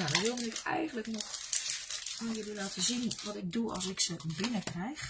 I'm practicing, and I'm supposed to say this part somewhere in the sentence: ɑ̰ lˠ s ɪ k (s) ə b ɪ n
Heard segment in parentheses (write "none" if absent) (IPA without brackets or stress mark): s